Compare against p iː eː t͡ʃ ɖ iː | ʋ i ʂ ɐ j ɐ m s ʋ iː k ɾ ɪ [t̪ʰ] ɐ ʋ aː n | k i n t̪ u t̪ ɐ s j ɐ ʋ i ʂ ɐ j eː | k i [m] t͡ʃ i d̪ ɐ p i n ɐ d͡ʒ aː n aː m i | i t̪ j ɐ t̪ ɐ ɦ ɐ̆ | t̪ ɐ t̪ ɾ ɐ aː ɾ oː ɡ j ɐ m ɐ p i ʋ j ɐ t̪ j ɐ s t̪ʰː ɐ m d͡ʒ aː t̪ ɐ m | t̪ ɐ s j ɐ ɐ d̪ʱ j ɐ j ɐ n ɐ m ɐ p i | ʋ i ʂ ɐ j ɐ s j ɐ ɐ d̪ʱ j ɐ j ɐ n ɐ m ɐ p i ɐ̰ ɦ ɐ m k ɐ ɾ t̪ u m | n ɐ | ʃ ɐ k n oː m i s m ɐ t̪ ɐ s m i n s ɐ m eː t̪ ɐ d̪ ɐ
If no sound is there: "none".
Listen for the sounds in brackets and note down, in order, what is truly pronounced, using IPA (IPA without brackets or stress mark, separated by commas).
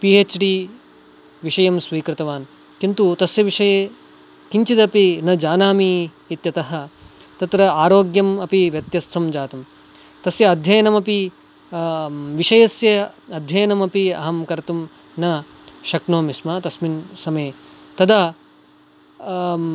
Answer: t̪, ɲ